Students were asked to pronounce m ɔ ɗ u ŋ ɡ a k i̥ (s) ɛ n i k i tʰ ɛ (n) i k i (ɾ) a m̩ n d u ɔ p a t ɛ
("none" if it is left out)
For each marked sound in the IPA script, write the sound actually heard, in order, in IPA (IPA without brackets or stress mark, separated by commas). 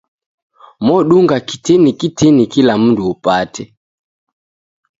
t, n, l